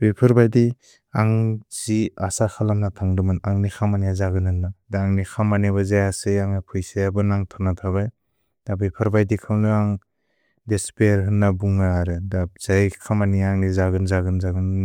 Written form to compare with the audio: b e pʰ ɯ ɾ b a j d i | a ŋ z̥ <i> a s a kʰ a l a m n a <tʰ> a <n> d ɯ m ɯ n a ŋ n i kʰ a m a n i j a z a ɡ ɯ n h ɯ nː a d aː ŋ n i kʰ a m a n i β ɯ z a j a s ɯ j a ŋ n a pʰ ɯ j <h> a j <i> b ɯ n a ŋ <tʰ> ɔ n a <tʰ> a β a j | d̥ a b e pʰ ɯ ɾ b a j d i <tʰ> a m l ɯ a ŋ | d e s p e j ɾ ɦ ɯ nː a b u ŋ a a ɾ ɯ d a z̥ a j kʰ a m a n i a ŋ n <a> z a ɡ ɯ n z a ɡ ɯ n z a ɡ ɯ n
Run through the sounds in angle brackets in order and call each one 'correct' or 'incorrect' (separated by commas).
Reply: correct, correct, incorrect, incorrect, incorrect, correct, correct, incorrect, incorrect